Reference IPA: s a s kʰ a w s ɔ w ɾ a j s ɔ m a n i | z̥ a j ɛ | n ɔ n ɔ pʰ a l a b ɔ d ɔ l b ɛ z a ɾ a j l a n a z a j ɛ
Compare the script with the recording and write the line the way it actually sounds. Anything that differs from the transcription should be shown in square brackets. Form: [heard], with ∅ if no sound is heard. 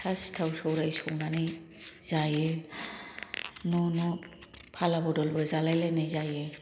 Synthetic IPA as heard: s a s [tʰ] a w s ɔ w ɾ a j s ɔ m a n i | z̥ a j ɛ | n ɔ n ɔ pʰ a l a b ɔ d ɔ l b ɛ z a [l] a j l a n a z a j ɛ